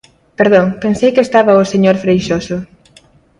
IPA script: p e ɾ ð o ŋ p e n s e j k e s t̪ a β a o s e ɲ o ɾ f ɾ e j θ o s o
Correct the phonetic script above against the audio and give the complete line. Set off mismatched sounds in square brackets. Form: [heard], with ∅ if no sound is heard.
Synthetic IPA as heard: p e ɾ ð o ŋ p e n s e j k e s t̪ a β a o s e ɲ o ɾ f ɾ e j [ʃ] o s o